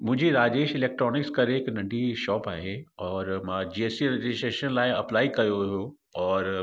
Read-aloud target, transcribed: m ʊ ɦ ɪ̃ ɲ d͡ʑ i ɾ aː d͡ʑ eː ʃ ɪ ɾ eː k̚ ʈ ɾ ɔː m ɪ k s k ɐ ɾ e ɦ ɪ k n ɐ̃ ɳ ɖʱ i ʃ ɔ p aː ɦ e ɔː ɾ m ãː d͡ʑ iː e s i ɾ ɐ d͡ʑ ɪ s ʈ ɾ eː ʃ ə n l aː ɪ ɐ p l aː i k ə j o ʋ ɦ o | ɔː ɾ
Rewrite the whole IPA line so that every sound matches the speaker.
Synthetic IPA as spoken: m ʊ̃ ɦ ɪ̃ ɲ d͡ʑ i ɾ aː d͡ʑ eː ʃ ɪ l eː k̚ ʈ ɾ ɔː n ɪ k s k ɐ ɾ e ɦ ɪ k n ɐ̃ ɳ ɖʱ i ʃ ɔː p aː ɦ e ɔː ɾ m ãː d͡ʑ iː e s i ɾ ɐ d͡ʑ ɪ s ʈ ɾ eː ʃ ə n l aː ɪ ɐ p l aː i k ɐ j o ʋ ɦ o | ɔː ɾ